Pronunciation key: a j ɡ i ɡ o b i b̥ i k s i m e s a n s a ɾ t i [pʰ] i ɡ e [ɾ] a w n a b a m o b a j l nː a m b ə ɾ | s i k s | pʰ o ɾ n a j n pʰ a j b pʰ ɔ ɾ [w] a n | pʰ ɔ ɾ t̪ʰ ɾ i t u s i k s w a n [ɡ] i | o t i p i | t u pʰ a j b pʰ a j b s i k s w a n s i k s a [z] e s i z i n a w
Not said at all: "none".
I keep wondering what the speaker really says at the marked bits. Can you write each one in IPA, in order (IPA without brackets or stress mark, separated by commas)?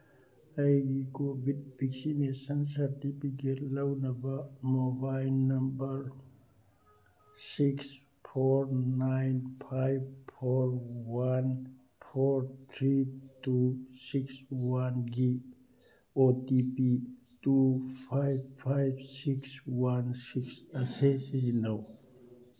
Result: p, l, w, ɡ, s